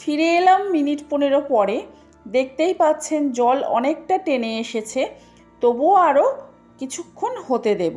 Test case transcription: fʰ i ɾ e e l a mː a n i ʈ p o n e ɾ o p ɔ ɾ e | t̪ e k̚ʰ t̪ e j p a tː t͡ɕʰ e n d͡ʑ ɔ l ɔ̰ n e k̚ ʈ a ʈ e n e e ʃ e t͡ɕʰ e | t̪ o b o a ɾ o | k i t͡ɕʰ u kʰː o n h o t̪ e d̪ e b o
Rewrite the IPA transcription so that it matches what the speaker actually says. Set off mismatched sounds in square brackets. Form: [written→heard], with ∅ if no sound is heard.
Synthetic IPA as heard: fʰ i ɾ e e l a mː [a→i] n i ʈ p o n e ɾ o p ɔ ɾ e | [t̪→d̪] e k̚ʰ t̪ e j p a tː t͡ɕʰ e n d͡ʑ ɔ l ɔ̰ n e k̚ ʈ a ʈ e n e e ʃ e t͡ɕʰ e | t̪ o b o a ɾ o | k i t͡ɕʰ u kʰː o n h o t̪ e d̪ e b o